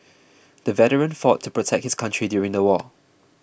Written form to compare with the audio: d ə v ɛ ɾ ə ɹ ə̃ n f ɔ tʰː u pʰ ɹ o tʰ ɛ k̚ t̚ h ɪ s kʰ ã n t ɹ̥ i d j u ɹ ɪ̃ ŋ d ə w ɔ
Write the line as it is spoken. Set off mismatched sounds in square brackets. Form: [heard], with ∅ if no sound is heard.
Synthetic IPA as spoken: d ə v ɛ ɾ ə ɹ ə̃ n f ɔ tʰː u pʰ ɹ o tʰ ɛ k̚ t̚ h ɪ s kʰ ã n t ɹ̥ i d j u ɹ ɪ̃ ŋ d ə w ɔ